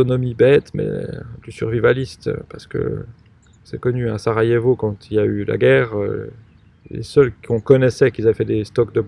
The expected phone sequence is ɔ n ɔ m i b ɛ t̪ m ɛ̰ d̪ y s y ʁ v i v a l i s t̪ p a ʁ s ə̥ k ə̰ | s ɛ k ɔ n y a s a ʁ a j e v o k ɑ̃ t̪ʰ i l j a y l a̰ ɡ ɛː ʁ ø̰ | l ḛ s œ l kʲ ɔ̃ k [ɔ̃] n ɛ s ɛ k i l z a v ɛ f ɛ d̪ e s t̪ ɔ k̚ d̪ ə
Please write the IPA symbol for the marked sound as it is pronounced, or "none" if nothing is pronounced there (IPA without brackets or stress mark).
ɔ